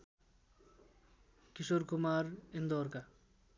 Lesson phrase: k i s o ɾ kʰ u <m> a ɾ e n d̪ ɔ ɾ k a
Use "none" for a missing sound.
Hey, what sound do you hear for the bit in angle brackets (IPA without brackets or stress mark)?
m